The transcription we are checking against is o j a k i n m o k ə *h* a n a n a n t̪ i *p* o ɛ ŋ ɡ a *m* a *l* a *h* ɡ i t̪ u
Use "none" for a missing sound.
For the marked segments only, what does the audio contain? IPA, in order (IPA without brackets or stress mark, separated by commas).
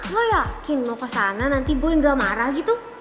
s, b, m, ɾ, h